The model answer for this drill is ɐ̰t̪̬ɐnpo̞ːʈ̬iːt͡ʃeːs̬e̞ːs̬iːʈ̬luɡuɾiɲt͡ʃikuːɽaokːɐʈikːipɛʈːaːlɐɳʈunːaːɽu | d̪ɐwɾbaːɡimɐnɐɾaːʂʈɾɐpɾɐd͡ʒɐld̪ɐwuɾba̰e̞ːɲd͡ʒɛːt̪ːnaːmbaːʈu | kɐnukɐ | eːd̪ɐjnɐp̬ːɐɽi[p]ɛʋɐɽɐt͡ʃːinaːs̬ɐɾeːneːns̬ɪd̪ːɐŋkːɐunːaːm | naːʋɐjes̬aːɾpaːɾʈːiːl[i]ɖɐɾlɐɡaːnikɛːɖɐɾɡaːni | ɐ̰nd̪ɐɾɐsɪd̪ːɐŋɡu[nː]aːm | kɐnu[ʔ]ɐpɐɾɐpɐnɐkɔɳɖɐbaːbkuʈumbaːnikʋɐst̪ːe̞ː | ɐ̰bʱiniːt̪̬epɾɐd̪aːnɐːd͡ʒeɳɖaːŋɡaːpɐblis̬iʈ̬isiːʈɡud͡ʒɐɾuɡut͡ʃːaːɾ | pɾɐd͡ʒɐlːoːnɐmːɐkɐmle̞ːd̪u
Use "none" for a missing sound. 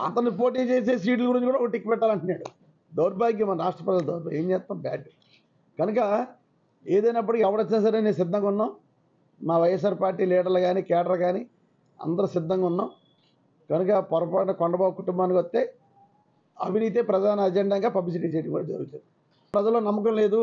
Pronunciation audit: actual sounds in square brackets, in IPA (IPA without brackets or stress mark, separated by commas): k, iː, nː, k